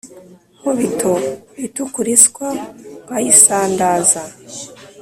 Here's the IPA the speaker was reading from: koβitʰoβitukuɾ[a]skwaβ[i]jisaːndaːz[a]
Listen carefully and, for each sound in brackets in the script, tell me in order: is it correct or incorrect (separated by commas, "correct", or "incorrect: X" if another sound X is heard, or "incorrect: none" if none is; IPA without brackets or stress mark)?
incorrect: i, incorrect: a, correct